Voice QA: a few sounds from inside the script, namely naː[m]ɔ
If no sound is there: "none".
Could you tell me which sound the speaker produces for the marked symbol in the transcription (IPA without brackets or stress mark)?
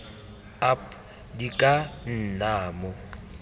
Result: m